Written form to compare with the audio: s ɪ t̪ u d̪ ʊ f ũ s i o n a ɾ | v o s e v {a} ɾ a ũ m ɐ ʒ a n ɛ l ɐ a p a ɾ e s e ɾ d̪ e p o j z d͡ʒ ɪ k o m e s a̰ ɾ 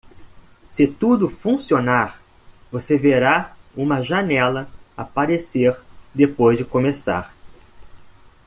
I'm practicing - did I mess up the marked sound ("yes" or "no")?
yes